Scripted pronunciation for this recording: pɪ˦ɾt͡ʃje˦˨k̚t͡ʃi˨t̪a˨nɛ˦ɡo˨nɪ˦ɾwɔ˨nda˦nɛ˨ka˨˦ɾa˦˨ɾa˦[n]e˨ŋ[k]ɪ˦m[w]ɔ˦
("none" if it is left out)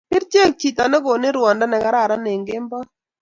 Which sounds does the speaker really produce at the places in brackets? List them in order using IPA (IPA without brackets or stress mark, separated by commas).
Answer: n, ɡ, b